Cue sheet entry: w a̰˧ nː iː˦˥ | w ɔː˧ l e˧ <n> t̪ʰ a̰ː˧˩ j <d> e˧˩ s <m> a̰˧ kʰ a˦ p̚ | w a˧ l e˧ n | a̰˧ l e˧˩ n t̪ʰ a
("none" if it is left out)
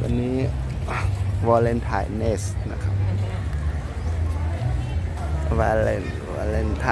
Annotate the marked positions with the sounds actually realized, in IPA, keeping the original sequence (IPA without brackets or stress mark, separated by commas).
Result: n, n, n